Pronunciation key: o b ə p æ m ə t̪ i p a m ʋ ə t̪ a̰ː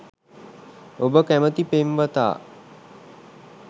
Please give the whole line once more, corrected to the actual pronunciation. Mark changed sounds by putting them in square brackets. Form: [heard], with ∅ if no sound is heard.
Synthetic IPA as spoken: o b ə [k] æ m ə t̪ i p [e] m ʋ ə t̪ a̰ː